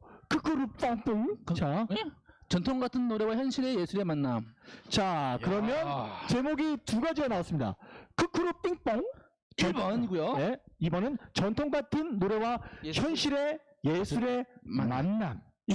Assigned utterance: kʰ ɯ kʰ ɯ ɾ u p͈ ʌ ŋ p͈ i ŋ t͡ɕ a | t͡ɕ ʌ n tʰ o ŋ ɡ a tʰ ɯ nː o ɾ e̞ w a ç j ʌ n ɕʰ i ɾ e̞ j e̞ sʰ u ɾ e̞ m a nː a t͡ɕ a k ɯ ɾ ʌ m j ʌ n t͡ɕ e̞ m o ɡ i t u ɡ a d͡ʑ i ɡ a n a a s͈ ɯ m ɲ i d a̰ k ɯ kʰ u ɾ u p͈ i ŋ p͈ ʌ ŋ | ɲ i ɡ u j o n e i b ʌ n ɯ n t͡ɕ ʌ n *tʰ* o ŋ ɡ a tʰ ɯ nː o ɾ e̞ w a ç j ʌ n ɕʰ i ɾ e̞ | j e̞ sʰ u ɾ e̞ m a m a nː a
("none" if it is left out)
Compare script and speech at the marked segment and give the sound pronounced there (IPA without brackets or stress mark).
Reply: tʰ